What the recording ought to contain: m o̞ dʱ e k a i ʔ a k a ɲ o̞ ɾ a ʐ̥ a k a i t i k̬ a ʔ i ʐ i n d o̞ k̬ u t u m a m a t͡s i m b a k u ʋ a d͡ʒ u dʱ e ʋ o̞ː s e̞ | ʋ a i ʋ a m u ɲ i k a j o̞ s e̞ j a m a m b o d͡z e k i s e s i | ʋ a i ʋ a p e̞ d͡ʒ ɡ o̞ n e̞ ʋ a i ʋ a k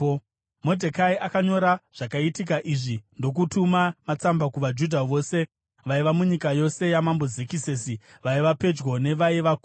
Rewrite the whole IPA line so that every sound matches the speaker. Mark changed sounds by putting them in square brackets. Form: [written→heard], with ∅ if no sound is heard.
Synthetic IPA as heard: m o̞ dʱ e k a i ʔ a k a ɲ o̞ ɾ a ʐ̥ a k a i t i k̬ a ʔ i ʐ i n d o̞ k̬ u t u m a m a t͡s [i→a] m b a k u ʋ a d͡ʒ u dʱ [e→a] ʋ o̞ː s e̞ | ʋ a i ʋ a m u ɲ i k a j o̞ s e̞ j a m a m b o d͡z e k i s e s i | ʋ a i ʋ a p e̞ d͡ʒ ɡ o̞ n e̞ ʋ a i ʋ a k

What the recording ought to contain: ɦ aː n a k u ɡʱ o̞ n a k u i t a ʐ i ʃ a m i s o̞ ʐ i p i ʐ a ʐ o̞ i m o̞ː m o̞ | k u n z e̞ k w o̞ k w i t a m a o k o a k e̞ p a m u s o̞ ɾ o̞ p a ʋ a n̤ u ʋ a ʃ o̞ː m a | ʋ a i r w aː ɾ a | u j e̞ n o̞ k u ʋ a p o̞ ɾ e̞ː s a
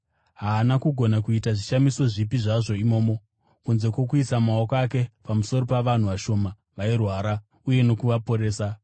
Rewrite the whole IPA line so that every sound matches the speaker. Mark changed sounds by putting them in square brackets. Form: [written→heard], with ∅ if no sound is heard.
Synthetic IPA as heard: ɦ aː n a k u ɡʱ o̞ n a k u i t a ʐ i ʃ a m i s o̞ ʐ i p i ʐ a ʐ o̞ i m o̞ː m o̞ | k u n z e̞ k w o̞ k [w→u] i [t→s] a m a o k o a k e̞ p a m u s o̞ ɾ o̞ p a ʋ a n̤ u ʋ a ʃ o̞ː m a | ʋ a i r w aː ɾ a | u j e̞ n o̞ k u ʋ a p o̞ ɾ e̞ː s a

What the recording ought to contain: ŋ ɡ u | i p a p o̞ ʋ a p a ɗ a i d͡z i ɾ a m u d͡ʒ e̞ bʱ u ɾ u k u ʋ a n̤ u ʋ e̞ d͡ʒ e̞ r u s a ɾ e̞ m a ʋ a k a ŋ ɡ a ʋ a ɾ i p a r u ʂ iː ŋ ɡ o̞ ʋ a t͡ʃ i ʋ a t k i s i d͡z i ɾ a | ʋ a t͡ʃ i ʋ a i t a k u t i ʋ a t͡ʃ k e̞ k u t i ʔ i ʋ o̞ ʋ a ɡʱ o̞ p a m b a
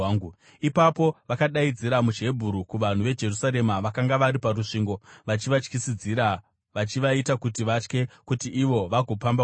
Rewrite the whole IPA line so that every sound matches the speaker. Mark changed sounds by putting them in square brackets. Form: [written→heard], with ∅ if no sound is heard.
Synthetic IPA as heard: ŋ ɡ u | i p a p o̞ ʋ a [p→k] a ɗ a i d͡z i ɾ a m u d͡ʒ e̞ bʱ u ɾ u k u ʋ a n̤ u ʋ e̞ d͡ʒ e̞ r u s a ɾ e̞ m a ʋ a k a ŋ ɡ a ʋ a ɾ i p a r u ʂ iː ŋ ɡ o̞ ʋ a t͡ʃ i ʋ a [t→t͡ʃ] k i s i d͡z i ɾ a | ʋ a t͡ʃ i ʋ a i t a k u t i ʋ a t͡ʃ k e̞ k u t i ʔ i ʋ o̞ ʋ a ɡʱ o̞ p a m b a

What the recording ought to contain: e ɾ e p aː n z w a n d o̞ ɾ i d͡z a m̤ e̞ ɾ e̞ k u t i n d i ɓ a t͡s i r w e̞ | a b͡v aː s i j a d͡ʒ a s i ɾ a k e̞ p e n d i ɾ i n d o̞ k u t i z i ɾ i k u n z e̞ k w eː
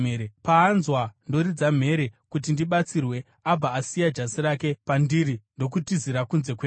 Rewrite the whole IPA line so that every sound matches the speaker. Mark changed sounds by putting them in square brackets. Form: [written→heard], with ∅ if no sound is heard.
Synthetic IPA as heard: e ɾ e p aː n z w a n d o̞ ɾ i d͡z a m̤ e̞ ɾ e̞ k u t i n d i ɓ a t͡s i r w e̞ | a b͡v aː s i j a d͡ʒ a s i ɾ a k e̞ p [e→a] n d i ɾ i n d o̞ k u t i z i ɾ [i→a] k u n z e̞ k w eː

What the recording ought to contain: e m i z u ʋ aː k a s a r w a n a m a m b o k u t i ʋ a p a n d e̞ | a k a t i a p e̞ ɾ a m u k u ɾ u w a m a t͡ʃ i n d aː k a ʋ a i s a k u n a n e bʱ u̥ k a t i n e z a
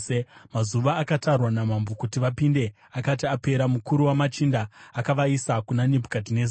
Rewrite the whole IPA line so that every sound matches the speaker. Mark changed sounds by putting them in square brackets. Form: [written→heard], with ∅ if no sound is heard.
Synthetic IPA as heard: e m [i→a] z u ʋ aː k a [s→t] a r w a n a m a m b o k u t i ʋ a p [a→i] n d e̞ | a k a t i a p e̞ ɾ a m u k u ɾ u w a m a t͡ʃ i n d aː k a ʋ a i s a k u n a n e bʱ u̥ k a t i n e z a

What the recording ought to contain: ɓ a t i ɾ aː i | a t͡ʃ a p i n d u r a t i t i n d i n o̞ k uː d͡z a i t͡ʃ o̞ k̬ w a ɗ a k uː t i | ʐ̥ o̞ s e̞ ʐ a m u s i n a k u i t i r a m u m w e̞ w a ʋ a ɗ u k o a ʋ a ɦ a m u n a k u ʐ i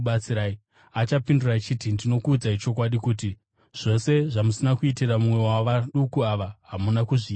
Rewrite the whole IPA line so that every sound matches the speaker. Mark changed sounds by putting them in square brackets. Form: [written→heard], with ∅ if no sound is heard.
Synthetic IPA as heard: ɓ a [t→t͡s] i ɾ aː i | a t͡ʃ a p i n d u r a [t→t͡ʃ] i t i n d i n o̞ k uː d͡z a i t͡ʃ o̞ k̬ w a ɗ [a→i] k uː t i | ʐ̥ o̞ s e̞ ʐ a m u s i n a k u i t i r a m u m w e̞ w a ʋ a ɗ u k [o→u] a ʋ a ɦ a m u n a k u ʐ i

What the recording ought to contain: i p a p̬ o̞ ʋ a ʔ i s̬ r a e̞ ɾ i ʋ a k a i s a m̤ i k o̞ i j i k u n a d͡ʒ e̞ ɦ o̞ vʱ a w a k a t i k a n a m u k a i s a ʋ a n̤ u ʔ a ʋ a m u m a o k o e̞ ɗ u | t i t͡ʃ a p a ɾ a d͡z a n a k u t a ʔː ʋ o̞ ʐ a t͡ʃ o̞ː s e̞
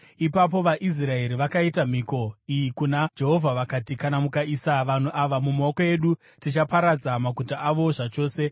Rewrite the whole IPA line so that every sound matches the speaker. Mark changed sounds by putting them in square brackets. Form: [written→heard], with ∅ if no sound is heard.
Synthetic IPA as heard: i p a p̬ o̞ ʋ a ʔ i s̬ r a e̞ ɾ i ʋ a k a i [s→t] a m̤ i k o̞ i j i k u n a d͡ʒ e̞ ɦ o̞ vʱ a [w→ʋ] a k a t i k a n a m u k a i s a ʋ a n̤ u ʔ a ʋ a m u m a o k o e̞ ɗ u | t i t͡ʃ a p a ɾ a d͡z a [n→m] a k u t a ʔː ʋ o̞ ʐ a t͡ʃ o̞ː s e̞

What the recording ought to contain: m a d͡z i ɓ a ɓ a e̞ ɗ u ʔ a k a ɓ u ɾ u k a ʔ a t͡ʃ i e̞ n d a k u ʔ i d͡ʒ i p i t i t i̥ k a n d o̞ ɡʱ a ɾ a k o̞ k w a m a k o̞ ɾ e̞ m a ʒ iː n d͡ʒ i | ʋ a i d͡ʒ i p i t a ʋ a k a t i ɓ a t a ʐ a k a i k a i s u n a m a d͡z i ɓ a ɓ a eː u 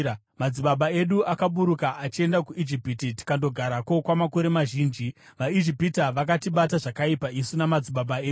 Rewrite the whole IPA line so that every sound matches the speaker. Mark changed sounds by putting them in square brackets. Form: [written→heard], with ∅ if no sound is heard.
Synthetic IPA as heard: m a d͡z i ɓ a ɓ a e̞ ɗ u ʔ a k a ɓ u ɾ u k a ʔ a t͡ʃ i e̞ n d a k u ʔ i d͡ʒ i p i t i t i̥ k a n d o̞ ɡʱ a ɾ a k o̞ k w a m a k o̞ ɾ e̞ m a ʒ iː n d͡ʒ i | ʋ a i d͡ʒ i p i t a ʋ a k a t i ɓ a t a ʐ a k a i [k→p] a i s u n a m a d͡z i ɓ a ɓ a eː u

